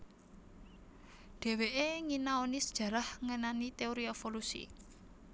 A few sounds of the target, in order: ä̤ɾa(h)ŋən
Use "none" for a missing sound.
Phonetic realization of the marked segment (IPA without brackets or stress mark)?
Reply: h